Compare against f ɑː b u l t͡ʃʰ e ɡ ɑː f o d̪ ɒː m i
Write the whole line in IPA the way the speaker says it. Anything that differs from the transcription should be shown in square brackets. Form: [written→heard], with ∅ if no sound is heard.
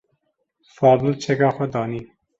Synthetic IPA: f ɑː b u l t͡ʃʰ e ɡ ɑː [f→x] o d̪ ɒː [m→n] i